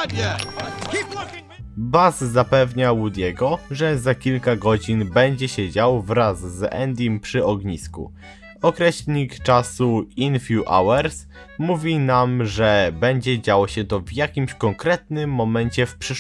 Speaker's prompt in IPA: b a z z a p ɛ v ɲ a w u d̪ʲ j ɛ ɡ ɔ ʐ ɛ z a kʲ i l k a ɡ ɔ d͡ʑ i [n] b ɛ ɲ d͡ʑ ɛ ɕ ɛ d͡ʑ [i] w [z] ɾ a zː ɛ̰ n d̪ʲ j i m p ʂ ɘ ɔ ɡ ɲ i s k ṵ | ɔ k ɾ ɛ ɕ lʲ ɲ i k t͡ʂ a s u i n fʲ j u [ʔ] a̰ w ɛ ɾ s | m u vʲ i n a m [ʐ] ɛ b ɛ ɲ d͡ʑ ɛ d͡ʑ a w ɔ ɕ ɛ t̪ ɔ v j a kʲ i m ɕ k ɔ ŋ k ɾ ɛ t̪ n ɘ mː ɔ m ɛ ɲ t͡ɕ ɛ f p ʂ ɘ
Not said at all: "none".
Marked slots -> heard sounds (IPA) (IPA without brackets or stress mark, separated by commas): n, a, v, ʔ, ʐ